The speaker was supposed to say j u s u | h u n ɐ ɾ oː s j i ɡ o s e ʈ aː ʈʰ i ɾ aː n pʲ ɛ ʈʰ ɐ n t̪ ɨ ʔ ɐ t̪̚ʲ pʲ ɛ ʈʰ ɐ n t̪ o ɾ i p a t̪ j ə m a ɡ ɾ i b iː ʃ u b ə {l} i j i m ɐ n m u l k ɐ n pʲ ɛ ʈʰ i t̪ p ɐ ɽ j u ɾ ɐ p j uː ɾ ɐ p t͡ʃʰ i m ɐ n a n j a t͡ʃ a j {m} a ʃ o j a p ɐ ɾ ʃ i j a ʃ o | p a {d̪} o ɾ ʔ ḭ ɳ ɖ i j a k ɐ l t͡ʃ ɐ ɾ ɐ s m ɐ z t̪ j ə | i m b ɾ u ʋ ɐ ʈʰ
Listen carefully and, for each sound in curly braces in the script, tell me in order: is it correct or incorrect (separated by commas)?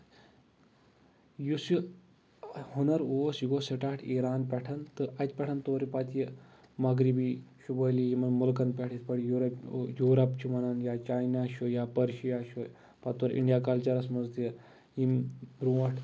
correct, incorrect, incorrect